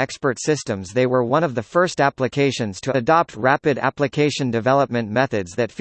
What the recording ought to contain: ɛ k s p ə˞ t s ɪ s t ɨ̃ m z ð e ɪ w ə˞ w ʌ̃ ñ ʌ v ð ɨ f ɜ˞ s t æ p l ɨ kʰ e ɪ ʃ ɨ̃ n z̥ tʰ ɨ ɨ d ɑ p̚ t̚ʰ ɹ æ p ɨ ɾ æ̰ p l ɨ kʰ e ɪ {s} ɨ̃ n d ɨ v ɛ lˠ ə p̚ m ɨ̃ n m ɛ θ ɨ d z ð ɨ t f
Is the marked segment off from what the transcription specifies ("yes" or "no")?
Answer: yes